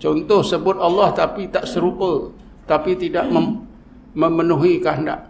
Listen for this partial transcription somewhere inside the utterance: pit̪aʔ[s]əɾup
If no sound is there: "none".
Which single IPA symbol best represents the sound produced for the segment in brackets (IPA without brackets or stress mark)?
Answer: s